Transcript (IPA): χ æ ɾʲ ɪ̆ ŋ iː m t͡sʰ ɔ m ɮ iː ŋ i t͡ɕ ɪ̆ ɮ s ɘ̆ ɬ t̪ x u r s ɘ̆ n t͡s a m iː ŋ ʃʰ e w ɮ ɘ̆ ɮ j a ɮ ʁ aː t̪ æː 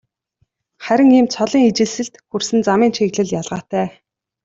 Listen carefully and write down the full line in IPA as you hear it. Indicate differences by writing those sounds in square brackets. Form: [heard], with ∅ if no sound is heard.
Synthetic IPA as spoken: χ æ ɾʲ ɪ̆ ŋ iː m t͡sʰ ɔ [∅] ɮ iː ŋ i t͡ɕ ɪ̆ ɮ s ɘ̆ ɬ t̪ x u r s ɘ̆ n t͡s a m iː [n] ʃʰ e [ɣ] ɮ ɘ̆ ɮ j a ɮ ʁ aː t̪ æː